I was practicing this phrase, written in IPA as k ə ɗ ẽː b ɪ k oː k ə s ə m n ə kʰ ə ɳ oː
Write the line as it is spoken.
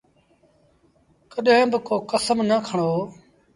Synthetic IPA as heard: k ə ɗ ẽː b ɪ k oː k ə s ə m n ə kʰ ə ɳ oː